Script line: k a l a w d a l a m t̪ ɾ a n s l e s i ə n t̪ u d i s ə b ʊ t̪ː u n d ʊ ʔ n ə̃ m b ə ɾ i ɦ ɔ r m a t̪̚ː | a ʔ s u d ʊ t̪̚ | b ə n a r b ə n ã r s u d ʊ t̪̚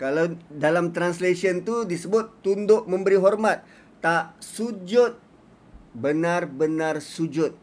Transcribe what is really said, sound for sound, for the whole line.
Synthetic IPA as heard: k a l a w d a l a m t̪ ɾ a n s l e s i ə n t̪ u d i s ə b ʊ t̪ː u n d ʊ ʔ m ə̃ m b ə ɾ i ɦ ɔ r m a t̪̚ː | a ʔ s u d͡ʒ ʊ t̪̚ | b ə n a r b ə n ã r s u d͡ʒ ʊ t̪̚